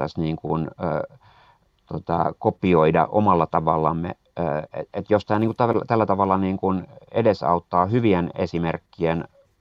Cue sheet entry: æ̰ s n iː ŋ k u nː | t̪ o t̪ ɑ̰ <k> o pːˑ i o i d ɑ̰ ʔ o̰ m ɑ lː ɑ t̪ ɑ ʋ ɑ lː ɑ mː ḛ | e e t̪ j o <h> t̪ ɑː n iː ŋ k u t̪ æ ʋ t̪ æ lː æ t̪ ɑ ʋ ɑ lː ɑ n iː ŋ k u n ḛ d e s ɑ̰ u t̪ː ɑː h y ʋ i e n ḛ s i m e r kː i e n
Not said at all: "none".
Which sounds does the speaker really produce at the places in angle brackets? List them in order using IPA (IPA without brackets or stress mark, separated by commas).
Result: k, s